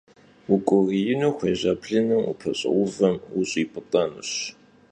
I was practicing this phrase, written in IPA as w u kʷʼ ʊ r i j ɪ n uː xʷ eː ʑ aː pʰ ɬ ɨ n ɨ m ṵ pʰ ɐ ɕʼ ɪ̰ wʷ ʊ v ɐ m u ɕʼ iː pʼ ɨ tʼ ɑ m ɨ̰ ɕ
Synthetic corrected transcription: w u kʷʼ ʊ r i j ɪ n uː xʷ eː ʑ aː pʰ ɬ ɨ n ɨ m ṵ pʰ ɐ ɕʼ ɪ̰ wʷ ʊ v ɐ m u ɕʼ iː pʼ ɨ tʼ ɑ n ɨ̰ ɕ